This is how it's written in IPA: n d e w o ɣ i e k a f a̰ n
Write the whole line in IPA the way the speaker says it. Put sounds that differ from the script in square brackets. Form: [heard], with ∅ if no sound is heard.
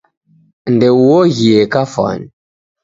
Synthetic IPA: n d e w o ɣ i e k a f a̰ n